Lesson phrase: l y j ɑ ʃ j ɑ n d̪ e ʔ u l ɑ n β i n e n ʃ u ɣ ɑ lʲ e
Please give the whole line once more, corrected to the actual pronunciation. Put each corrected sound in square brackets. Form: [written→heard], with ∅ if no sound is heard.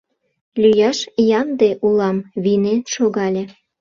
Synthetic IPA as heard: l y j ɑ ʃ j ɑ n d̪ e ʔ u l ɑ [n→m] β i n e n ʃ [u→o] ɣ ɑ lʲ e